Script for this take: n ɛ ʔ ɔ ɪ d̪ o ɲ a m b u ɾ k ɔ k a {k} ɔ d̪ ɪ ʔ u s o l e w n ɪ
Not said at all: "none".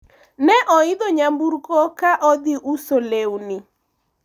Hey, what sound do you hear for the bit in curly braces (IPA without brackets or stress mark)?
ʔ